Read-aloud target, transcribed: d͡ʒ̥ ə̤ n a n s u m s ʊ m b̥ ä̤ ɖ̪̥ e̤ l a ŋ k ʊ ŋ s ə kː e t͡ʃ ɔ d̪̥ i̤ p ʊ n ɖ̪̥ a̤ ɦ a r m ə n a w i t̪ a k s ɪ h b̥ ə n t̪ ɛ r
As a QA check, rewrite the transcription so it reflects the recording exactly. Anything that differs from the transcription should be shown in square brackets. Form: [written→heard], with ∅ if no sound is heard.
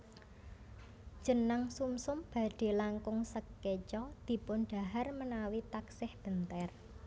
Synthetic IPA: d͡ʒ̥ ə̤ n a [n→ŋ] s u m s ʊ m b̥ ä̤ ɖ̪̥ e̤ l a ŋ k ʊ ŋ s ə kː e t͡ʃ ɔ d̪̥ i̤ p ʊ n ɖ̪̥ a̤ ɦ a r m ə n a w i t̪ a k s ɪ h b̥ ə n t̪ ɛ r